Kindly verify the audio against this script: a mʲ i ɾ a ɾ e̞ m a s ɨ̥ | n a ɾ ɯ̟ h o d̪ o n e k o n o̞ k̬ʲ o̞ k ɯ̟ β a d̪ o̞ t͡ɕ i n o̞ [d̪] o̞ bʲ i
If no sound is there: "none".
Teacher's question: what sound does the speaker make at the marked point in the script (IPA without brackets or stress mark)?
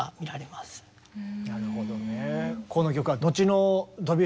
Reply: d̪